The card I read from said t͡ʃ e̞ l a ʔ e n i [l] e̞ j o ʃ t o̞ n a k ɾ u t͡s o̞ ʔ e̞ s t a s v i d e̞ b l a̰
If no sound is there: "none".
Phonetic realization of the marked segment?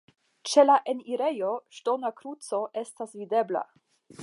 ɾ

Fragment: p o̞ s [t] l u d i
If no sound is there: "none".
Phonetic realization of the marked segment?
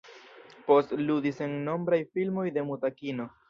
t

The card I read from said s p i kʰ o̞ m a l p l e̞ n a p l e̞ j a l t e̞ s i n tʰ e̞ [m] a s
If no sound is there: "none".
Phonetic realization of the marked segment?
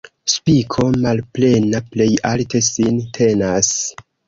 n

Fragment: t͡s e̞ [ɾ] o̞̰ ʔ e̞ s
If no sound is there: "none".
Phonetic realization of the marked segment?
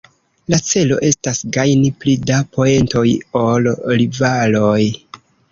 l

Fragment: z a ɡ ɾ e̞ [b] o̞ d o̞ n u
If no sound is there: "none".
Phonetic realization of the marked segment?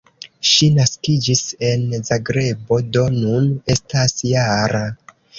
b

